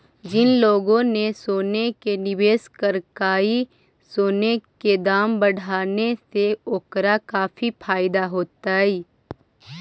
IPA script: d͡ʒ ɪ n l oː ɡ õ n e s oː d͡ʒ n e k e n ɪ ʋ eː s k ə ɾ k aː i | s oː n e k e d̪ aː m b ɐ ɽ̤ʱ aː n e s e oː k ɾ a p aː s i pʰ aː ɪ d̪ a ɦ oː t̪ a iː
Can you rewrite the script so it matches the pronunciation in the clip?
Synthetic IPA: d͡ʒ ɪ n l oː ɡ õ n e s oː n e k e n ɪ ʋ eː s k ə ɾ k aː i | s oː n e k e d̪ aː m b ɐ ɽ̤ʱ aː n e s e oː k ɾ a k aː f i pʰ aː ɪ d̪ a ɦ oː t̪ a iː